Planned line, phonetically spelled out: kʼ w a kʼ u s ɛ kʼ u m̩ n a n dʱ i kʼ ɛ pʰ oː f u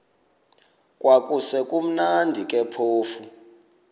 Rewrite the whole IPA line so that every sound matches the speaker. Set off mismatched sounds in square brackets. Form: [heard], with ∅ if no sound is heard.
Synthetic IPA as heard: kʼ w a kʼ u s ɛ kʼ u m̩ n a n dʱ i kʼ ɛ pʰ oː f u

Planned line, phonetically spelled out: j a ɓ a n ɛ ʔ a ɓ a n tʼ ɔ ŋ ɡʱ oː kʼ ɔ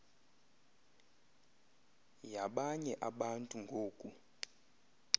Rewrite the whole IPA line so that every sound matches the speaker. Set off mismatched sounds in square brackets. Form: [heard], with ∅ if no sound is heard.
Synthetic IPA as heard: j a ɓ a [ɲ] ɛ ʔ a ɓ a n tʼ [u] ŋ ɡʱ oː kʼ [u]

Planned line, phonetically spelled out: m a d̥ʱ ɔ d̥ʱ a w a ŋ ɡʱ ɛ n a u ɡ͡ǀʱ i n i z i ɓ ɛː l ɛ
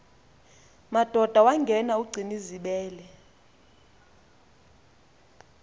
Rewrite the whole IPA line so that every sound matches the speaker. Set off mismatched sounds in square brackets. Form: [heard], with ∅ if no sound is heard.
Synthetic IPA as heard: m a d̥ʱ ɔ d̥ʱ a w a ŋ ɡʱ ɛ n a u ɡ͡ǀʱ i n i z i ɓ ɛː l ɛ

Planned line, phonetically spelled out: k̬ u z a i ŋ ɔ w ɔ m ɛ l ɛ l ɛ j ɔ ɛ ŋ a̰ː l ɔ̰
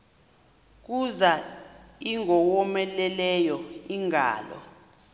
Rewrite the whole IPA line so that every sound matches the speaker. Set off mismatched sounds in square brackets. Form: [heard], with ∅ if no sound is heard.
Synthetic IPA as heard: k̬ u z a i ŋ ɔ w ɔ m ɛ l ɛ l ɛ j ɔ [i] ŋ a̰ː l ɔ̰

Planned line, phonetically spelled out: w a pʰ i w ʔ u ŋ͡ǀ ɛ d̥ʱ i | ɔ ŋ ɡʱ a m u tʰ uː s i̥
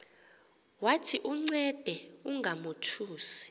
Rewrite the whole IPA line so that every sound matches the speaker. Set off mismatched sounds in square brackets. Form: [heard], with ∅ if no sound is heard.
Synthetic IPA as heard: w a [tʰ] i [∅] ʔ u ŋ͡ǀ ɛ d̥ʱ [ɛ] | [u] ŋ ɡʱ a m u tʰ uː s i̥

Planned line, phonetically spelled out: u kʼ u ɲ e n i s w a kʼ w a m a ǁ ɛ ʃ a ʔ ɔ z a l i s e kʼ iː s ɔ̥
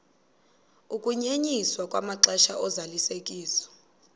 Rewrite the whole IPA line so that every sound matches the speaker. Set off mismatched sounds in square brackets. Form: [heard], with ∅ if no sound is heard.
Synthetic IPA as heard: u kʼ u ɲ e [ɲ] i s w a kʼ w a m a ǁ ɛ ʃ a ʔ ɔ z a l i s e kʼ iː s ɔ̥

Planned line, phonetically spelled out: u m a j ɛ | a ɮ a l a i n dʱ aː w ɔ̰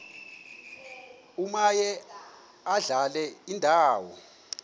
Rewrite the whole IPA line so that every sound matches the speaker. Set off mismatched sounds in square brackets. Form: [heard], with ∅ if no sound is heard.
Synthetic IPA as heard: u m a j ɛ | a ɮ a l [ɛ] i n dʱ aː w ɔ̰

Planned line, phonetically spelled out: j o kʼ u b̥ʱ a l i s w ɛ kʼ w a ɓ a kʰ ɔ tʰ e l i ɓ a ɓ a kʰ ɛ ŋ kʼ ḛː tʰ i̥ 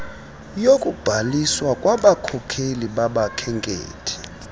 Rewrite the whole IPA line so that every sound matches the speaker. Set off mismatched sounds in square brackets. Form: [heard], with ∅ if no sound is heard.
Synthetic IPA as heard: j o kʼ u b̥ʱ a l i s w [a] kʼ w a ɓ a kʰ ɔ [kʰ] e l i ɓ a ɓ a kʰ ɛ ŋ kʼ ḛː tʰ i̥

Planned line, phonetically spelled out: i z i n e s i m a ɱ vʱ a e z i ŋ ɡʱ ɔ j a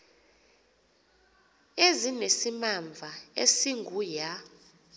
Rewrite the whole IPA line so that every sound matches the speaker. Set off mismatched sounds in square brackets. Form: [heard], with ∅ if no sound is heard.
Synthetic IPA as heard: [e] z i n e s i m a ɱ vʱ a e [s] i ŋ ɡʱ [u] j a

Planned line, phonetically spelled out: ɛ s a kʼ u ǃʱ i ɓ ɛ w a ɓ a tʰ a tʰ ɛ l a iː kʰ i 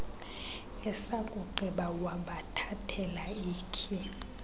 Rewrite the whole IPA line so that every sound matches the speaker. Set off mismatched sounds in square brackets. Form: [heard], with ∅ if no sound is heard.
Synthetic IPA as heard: ɛ s a kʼ u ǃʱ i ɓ [a] w a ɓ a tʰ a tʰ ɛ l a iː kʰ i

